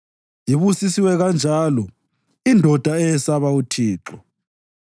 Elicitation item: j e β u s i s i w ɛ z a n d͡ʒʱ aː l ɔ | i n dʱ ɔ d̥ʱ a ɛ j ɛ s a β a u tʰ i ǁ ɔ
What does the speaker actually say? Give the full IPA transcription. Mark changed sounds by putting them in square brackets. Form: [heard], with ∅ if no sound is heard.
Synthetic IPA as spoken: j [i] β u s i s i w ɛ [ɣ] a n d͡ʒʱ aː l ɔ | i n dʱ ɔ d̥ʱ a ɛ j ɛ s a β a u tʰ [iː] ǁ ɔ